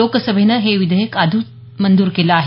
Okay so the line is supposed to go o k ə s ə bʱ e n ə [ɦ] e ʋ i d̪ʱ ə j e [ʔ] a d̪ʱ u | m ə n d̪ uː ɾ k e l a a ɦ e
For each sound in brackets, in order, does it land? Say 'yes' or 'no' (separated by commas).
yes, no